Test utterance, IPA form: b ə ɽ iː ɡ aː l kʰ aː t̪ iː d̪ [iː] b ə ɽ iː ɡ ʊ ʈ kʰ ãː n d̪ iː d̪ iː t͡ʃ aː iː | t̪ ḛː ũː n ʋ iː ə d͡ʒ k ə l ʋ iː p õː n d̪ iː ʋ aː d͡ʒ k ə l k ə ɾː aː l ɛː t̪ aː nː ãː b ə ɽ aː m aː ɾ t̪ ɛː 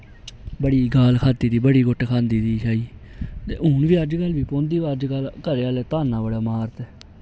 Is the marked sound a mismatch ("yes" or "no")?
no